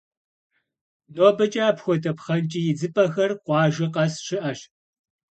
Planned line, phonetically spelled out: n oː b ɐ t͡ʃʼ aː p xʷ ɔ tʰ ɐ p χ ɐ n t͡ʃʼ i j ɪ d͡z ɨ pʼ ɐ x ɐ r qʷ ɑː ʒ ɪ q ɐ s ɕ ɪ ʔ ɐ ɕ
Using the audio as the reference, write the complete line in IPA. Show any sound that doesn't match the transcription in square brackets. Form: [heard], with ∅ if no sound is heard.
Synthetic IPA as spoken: n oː b ɐ t͡ʃʼ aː p xʷ ɔ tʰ ɐ p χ ɐ n t͡ʃʼ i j ɪ d͡z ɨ pʼ ɐ x ɐ r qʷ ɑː ʒ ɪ q ɐ s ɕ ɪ ʔ ɐ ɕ